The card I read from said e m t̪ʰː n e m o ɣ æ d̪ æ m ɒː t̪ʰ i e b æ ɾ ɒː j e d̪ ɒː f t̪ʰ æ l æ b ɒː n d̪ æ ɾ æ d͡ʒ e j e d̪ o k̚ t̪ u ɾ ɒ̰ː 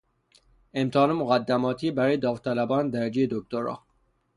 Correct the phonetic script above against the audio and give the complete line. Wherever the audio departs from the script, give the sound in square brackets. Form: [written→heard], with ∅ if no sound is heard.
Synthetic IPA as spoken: e m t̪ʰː n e m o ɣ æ [d̪→d̪ː] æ m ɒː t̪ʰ i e b æ ɾ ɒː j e d̪ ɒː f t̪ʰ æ l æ b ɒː n d̪ æ ɾ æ d͡ʒ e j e d̪ o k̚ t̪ [u→o] ɾ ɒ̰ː